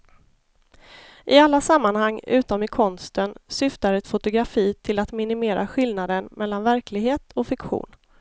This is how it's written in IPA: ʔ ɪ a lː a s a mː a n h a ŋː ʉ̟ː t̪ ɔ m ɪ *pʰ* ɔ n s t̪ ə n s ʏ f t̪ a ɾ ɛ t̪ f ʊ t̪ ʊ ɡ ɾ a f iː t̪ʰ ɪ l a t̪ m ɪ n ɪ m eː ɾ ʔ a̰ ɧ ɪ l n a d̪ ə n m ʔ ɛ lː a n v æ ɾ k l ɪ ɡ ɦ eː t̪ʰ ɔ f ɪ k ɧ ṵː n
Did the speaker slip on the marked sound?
yes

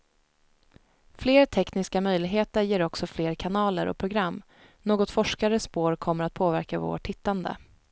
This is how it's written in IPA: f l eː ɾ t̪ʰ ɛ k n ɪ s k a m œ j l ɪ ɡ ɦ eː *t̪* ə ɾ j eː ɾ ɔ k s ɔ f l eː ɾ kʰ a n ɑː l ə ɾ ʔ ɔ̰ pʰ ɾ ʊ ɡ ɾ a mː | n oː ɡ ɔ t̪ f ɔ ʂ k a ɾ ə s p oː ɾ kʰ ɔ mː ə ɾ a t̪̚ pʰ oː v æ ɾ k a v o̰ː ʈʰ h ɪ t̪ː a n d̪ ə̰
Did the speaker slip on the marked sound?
no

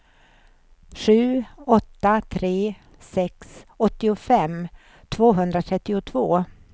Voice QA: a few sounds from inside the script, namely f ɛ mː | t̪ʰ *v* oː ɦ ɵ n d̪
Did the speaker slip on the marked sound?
no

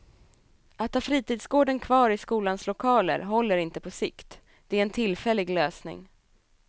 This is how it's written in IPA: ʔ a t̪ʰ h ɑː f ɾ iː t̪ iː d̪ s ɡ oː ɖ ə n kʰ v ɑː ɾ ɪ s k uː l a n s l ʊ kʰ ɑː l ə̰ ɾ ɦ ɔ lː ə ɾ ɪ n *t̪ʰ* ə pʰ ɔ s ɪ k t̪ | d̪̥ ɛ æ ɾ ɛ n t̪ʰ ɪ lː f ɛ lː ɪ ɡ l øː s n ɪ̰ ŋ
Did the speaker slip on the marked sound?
yes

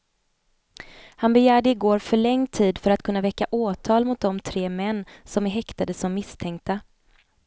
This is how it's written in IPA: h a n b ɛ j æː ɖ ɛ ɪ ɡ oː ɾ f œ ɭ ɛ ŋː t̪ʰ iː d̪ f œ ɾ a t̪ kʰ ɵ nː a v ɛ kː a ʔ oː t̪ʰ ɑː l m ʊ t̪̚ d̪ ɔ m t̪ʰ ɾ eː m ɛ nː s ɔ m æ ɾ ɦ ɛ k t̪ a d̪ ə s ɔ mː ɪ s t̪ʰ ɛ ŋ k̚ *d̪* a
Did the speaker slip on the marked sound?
yes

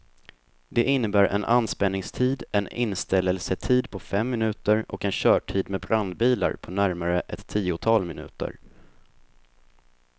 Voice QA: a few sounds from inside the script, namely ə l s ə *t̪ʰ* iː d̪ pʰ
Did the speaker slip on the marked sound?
no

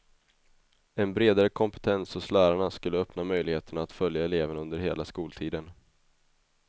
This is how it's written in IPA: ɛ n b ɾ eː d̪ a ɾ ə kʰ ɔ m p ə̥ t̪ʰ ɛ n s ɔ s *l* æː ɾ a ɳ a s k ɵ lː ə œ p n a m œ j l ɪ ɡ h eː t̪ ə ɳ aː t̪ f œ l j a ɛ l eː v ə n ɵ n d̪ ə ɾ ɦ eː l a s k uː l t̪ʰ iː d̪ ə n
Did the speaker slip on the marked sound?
no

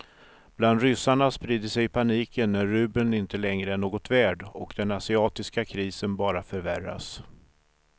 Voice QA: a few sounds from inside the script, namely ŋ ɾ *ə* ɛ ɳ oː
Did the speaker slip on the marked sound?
no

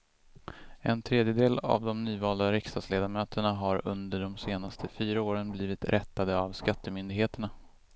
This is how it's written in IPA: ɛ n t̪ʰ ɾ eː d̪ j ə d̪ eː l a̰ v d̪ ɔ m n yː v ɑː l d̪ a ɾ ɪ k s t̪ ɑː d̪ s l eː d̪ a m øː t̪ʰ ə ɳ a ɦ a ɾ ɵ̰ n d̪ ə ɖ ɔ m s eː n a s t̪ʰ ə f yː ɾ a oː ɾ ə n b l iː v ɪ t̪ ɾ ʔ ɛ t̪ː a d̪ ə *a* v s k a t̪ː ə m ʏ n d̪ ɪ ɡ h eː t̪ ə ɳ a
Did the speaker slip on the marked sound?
no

